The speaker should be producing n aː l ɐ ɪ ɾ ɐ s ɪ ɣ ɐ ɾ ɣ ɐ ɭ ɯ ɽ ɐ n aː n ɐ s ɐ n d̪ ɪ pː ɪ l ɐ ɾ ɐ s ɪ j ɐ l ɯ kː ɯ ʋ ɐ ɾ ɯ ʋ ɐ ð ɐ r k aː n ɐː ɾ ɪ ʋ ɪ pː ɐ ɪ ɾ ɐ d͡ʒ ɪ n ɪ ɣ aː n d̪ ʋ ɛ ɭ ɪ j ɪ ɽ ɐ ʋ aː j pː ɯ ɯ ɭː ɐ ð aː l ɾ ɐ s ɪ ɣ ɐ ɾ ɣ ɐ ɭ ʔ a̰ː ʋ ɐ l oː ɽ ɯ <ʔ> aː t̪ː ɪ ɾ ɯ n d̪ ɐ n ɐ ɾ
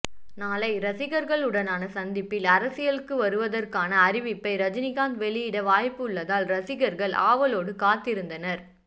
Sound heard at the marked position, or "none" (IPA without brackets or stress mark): k